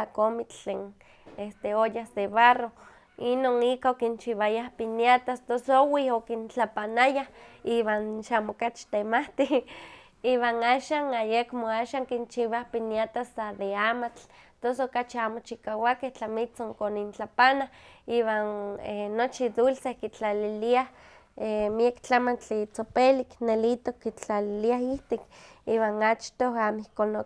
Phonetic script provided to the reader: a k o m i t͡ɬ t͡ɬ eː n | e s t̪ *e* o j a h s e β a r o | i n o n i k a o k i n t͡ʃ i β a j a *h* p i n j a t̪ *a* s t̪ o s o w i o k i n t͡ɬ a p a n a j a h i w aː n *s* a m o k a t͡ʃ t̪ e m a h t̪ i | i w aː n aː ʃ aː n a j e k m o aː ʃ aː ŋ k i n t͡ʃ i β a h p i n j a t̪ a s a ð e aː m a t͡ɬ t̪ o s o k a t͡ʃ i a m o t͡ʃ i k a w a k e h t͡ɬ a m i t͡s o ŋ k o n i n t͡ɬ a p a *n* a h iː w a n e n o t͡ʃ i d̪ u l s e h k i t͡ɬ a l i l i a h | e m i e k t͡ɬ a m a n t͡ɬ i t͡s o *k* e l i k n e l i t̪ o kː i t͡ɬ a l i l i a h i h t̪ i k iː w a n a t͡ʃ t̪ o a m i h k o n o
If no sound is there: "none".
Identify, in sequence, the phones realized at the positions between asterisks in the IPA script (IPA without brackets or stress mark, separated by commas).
e, h, a, ʃ, n, p